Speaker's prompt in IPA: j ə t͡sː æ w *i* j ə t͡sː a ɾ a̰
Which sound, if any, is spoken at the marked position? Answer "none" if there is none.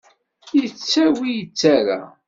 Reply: i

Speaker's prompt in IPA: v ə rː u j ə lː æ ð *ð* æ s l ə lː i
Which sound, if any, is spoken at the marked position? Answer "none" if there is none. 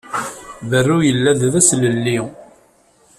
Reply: ð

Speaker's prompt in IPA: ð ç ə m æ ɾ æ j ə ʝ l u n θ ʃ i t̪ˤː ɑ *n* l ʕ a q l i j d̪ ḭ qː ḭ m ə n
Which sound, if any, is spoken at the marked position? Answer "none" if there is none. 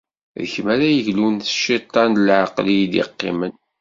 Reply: n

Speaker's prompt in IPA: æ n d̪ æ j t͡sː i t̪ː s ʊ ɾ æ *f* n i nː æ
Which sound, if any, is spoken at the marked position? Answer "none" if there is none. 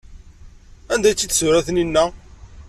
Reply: θ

